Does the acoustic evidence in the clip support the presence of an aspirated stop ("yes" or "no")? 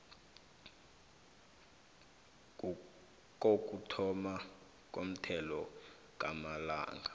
yes